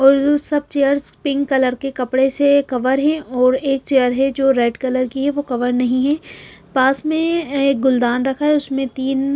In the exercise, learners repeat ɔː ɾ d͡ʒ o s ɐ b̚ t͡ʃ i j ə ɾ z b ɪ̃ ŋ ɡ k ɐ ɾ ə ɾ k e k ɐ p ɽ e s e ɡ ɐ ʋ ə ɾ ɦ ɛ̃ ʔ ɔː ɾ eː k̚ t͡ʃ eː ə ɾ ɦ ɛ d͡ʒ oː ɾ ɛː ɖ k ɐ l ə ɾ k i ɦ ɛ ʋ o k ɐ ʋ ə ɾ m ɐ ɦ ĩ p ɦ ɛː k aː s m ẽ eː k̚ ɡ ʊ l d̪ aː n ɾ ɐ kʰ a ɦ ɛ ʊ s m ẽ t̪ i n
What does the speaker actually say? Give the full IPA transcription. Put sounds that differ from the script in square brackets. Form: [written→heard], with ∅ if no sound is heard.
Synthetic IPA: ɔː ɾ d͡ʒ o s ɐ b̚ t͡ʃ [i→e] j ə ɾ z [b→p] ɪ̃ ŋ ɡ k ɐ [ɾ→l] ə ɾ k e k ɐ p ɽ e s e [ɡ→k] ɐ ʋ ə ɾ ɦ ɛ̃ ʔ ɔː ɾ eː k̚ t͡ʃ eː ə ɾ ɦ ɛ d͡ʒ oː ɾ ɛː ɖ k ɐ l ə ɾ k i ɦ ɛ ʋ o k ɐ ʋ ə ɾ [m→n] ɐ ɦ ĩ [p→∅] ɦ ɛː [k→p] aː s m ẽ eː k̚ ɡ ʊ l d̪ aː n ɾ ɐ kʰ a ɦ ɛ ʊ s m ẽ t̪ [i→iː] n